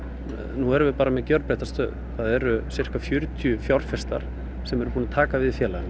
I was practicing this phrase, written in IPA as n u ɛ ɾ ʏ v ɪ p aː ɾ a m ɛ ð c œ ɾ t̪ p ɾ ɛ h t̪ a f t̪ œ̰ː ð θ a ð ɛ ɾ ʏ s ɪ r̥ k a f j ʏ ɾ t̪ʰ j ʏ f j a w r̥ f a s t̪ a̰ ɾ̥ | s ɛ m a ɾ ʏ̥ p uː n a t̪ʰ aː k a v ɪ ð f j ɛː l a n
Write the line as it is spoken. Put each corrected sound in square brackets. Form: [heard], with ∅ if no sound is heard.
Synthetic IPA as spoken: n u ɛ ɾ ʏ v ɪ p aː ɾ a m ɛ ð c œ ɾ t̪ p ɾ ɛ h t̪ a [s] t̪ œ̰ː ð θ a ð ɛ ɾ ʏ s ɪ r̥ k a f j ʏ ɾ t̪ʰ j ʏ f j a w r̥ f [ɛ] s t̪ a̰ ɾ̥ | s ɛ m [ɛ] ɾ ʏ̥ p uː n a t̪ʰ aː k a v ɪ ð f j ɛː l a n